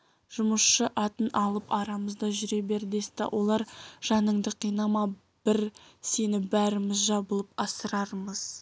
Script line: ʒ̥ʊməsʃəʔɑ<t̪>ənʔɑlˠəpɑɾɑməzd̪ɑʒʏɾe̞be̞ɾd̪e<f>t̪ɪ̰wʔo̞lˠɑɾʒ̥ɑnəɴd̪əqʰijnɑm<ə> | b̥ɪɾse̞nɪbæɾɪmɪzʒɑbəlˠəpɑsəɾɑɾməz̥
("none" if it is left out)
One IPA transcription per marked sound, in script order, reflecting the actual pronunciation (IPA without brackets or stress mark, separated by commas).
t̪, s, ɑ